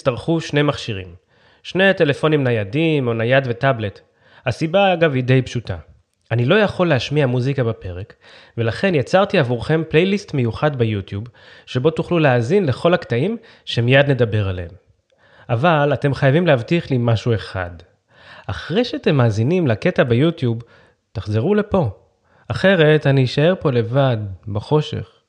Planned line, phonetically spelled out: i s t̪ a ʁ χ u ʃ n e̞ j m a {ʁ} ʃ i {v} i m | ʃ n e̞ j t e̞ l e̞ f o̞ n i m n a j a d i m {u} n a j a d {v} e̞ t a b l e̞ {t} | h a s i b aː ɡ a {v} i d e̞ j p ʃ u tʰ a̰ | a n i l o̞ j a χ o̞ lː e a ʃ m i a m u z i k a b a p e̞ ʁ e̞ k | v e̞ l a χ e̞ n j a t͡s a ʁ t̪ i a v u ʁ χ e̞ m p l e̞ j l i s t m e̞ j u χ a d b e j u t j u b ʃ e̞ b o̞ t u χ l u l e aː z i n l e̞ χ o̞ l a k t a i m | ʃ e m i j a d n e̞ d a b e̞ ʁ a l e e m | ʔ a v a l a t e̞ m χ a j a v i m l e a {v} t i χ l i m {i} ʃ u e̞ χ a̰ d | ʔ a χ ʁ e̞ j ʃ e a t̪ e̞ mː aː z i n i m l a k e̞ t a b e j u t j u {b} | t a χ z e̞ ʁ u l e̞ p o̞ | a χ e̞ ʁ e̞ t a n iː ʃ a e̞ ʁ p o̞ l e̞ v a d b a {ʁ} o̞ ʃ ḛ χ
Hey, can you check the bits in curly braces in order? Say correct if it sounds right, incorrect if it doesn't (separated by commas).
incorrect, incorrect, incorrect, correct, correct, correct, correct, incorrect, correct, incorrect